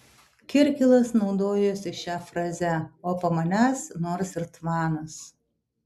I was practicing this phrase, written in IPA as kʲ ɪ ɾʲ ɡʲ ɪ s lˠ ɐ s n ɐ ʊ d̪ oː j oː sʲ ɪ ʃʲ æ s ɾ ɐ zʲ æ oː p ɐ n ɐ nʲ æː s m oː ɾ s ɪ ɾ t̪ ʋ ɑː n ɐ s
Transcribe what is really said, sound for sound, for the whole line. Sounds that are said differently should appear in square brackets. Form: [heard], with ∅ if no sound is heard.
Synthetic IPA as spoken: kʲ ɪ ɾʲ [kʲ] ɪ [∅] lˠ ɐ s n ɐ ʊ d̪ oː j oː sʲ ɪ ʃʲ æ [f] ɾ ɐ zʲ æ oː p ɐ [m] ɐ nʲ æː s [n] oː ɾ s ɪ ɾ t̪ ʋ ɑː n ɐ s

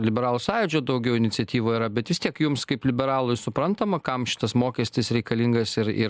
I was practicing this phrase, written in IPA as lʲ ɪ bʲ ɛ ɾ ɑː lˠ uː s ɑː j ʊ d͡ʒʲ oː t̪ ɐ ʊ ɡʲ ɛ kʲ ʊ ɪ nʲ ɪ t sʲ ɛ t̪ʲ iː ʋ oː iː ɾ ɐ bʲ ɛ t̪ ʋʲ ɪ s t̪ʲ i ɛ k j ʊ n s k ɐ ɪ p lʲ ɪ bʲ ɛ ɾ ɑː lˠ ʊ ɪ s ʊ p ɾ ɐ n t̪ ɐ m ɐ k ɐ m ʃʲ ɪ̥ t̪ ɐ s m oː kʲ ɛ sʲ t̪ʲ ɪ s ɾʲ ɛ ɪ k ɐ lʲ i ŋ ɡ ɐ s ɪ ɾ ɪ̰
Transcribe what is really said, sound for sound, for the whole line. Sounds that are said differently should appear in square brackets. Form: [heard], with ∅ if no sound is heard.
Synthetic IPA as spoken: lʲ ɪ bʲ ɛ ɾ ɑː lˠ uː s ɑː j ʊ d͡ʒʲ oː [d̪] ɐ ʊ ɡʲ ɛ [∅] ʊ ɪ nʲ ɪ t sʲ ɛ t̪ʲ iː ʋ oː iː ɾ ɐ bʲ ɛ t̪ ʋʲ ɪ s t̪ʲ i ɛ k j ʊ [m] s k ɐ ɪ p lʲ ɪ bʲ ɛ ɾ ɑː lˠ ʊ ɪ s ʊ p ɾ ɐ n t̪ ɐ m ɐ k ɐ m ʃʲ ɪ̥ t̪ ɐ s m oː kʲ ɛ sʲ t̪ʲ ɪ s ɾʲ ɛ ɪ k ɐ lʲ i ŋ ɡ ɐ s ɪ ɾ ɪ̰

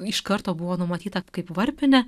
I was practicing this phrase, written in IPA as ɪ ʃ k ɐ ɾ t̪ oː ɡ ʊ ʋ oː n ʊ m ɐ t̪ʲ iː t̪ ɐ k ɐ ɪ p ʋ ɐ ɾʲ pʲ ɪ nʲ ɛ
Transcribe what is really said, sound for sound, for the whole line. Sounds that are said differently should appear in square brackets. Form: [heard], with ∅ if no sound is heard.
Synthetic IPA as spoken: ɪ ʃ k ɐ ɾ t̪ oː [b] ʊ ʋ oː n ʊ m ɐ t̪ʲ iː t̪ ɐ k ɐ ɪ p ʋ ɐ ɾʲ pʲ ɪ nʲ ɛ

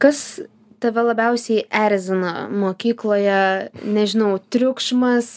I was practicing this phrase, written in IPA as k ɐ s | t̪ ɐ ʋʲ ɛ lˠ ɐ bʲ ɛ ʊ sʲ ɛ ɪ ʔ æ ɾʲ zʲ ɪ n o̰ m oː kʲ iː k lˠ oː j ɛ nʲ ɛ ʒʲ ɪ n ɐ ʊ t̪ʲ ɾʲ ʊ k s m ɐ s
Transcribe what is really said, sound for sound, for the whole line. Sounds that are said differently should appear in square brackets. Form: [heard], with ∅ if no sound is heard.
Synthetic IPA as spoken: k ɐ s | t̪ ɐ ʋʲ ɛ lˠ ɐ bʲ ɛ ʊ sʲ ɛ ɪ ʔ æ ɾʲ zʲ ɪ n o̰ m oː kʲ iː k lˠ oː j ɛ nʲ ɛ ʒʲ ɪ n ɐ ʊ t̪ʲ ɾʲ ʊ k [ʃ] m ɐ s

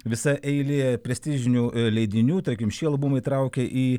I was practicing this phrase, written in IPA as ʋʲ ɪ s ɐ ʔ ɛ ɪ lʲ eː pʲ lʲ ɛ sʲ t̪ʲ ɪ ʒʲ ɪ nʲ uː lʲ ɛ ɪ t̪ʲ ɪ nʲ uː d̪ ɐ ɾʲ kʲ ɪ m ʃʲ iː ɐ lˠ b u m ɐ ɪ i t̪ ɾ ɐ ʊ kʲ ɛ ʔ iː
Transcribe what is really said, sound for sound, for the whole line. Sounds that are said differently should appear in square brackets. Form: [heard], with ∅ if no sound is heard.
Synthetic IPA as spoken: ʋʲ ɪ s ɐ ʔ ɛ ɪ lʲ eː pʲ [ɾʲ] ɛ sʲ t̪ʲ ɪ ʒʲ ɪ nʲ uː lʲ ɛ ɪ [d̪ʲ] ɪ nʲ uː [t̪] ɐ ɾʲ kʲ ɪ m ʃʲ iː ɐ lˠ b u m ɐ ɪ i t̪ ɾ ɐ ʊ kʲ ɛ ʔ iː

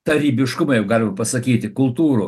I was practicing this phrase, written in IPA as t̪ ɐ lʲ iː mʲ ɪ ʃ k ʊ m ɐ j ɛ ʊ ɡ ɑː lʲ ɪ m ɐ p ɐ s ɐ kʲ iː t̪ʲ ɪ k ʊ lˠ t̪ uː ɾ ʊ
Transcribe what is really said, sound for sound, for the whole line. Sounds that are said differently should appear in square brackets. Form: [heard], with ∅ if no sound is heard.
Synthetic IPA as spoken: t̪ ɐ [ɾʲ] iː [bʲ] ɪ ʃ k ʊ m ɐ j ɛ ʊ ɡ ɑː lʲ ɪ m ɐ p ɐ s ɐ kʲ iː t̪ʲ ɪ k ʊ lˠ t̪ uː ɾ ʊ

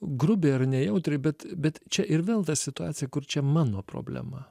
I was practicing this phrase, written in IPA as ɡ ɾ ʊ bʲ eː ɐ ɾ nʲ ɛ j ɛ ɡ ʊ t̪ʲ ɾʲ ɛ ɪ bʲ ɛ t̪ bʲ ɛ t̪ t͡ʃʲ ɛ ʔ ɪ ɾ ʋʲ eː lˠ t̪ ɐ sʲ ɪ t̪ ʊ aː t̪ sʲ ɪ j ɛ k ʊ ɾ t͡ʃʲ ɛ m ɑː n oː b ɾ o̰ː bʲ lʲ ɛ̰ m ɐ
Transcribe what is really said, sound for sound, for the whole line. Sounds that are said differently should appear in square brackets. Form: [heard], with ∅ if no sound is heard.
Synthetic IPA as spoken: ɡ ɾ ʊ bʲ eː ɐ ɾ nʲ ɛ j ɛ [∅] ʊ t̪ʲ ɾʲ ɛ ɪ bʲ ɛ t̪ bʲ ɛ t̪ t͡ʃʲ ɛ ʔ ɪ ɾ ʋʲ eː lˠ t̪ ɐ sʲ ɪ t̪ ʊ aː t̪ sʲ ɪ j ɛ k ʊ ɾ t͡ʃʲ ɛ m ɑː n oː [p] ɾ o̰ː bʲ lʲ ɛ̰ m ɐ

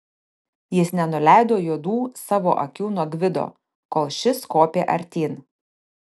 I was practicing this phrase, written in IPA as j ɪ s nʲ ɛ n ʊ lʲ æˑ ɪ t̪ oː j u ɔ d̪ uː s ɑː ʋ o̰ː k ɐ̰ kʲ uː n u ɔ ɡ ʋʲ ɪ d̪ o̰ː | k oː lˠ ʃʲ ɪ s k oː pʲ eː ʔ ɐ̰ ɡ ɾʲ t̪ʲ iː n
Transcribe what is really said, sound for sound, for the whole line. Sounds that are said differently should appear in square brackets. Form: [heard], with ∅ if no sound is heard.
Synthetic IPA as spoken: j ɪ s nʲ ɛ n ʊ lʲ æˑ ɪ [d̪] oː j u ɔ d̪ uː s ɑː ʋ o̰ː [ʔ] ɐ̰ kʲ uː n u ɔ ɡ ʋʲ ɪ d̪ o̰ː | k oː lˠ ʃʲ ɪ s k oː pʲ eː ʔ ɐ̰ [∅] ɾʲ t̪ʲ iː n

